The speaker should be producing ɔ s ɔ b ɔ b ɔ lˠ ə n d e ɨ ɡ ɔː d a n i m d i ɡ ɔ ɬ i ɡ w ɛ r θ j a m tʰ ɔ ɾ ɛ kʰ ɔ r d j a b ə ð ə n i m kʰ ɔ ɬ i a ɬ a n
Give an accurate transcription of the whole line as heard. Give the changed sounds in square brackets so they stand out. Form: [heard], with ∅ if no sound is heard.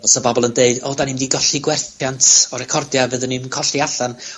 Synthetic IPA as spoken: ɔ s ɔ b ɔ b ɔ lˠ ə n d e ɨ [d] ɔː d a n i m d i ɡ ɔ ɬ i ɡ w ɛ r θ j a [n] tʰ ɔ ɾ ɛ kʰ ɔ r d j a [v] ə ð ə n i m kʰ ɔ ɬ i a ɬ a n